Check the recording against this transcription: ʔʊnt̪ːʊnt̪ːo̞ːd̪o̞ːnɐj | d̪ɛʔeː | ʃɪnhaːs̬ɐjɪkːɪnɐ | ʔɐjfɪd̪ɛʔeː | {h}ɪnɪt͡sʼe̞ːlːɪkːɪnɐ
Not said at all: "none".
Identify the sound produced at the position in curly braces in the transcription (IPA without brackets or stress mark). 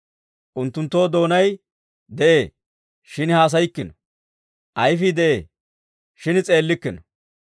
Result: ʃ